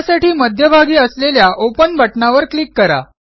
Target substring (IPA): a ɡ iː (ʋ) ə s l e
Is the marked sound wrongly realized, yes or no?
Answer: yes